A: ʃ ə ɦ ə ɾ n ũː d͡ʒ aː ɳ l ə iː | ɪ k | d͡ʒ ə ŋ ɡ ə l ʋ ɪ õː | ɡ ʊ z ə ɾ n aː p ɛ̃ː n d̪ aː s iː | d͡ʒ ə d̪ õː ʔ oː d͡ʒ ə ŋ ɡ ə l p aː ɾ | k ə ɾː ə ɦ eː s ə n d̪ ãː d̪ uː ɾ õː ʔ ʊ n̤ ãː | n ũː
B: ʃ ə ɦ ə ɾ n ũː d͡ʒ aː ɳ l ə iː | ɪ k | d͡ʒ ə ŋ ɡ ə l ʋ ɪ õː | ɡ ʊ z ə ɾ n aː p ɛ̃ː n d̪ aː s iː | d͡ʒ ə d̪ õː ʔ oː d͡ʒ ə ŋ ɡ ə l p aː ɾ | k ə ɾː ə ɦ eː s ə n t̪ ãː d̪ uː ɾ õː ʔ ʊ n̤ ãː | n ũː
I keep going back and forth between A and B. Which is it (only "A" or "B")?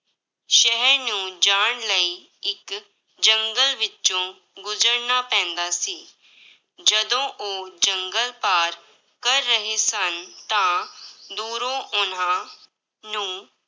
B